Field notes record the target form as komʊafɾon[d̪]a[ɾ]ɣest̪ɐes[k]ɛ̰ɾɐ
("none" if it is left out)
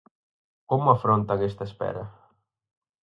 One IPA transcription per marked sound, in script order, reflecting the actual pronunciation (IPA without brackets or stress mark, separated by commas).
t̪, none, p